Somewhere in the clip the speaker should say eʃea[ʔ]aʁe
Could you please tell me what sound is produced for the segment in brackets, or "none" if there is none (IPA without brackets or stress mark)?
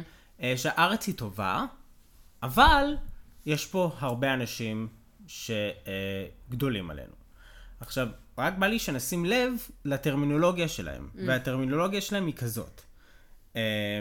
ʔ